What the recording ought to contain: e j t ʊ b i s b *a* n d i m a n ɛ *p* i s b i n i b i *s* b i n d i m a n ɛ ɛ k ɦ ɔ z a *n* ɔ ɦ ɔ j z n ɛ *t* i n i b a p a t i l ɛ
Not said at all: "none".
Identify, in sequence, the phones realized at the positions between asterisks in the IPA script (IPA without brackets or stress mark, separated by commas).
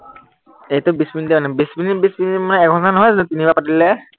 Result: i, b, s, n, t